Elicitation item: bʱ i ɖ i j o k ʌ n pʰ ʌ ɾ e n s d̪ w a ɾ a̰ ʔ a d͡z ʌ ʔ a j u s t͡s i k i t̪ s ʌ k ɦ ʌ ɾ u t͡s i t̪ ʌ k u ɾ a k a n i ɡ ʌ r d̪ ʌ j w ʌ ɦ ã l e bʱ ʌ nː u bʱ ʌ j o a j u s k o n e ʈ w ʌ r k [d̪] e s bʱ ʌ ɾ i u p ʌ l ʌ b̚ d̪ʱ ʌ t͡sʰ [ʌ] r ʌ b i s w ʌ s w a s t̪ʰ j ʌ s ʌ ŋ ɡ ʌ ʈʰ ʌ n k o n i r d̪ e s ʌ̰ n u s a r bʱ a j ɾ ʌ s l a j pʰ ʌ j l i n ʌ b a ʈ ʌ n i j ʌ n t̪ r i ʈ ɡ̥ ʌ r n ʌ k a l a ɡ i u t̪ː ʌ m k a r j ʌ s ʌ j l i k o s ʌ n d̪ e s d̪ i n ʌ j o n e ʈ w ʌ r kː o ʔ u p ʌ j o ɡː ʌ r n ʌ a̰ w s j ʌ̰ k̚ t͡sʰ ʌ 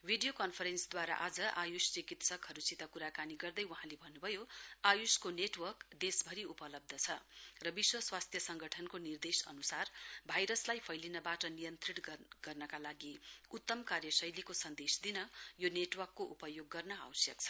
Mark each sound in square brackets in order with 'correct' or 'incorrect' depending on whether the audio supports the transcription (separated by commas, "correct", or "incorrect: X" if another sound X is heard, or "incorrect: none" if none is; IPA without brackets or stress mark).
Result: correct, correct